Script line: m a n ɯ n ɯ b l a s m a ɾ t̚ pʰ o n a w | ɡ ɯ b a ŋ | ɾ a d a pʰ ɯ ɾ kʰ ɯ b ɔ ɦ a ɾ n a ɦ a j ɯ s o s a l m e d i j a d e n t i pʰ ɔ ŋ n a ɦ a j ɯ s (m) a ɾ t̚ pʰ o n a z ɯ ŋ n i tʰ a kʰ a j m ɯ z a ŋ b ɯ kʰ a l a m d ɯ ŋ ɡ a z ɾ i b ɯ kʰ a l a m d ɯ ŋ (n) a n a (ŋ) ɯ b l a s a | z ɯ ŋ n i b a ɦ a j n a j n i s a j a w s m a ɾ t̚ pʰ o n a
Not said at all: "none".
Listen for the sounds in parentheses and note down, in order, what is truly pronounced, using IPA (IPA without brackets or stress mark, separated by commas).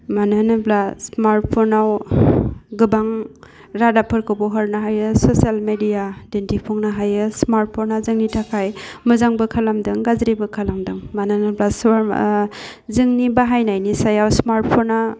m, m, n